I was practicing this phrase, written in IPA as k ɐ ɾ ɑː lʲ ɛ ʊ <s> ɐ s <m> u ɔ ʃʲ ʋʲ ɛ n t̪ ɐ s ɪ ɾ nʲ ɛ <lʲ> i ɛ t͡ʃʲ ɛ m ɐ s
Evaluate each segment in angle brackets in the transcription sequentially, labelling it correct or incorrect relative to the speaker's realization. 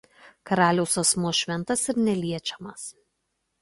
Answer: correct, correct, correct

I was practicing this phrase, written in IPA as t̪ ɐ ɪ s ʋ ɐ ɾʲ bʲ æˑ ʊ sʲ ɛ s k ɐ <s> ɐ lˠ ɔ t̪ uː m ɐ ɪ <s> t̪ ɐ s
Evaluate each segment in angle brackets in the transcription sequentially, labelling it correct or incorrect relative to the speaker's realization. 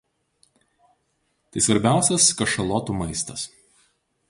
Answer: incorrect, correct

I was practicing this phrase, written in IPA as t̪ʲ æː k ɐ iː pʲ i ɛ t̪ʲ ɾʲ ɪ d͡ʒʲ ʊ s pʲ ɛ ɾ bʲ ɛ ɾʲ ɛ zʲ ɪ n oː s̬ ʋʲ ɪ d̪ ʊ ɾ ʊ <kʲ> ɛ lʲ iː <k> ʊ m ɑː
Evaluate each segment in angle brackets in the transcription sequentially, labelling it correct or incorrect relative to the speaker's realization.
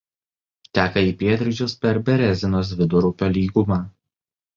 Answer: incorrect, incorrect

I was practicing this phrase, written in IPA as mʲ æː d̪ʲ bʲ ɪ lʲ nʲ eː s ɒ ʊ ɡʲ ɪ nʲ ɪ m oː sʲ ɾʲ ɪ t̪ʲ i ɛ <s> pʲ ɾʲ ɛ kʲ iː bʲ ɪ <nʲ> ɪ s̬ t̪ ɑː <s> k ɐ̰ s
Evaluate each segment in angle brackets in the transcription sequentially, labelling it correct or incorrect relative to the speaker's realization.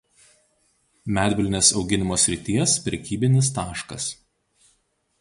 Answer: correct, correct, incorrect

